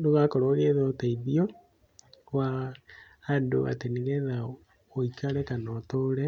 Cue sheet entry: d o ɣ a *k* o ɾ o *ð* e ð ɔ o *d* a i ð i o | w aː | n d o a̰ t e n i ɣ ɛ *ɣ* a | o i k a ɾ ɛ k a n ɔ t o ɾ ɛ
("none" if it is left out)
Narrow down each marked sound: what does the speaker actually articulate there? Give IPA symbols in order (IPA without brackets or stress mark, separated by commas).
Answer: k, ɣ, t, ð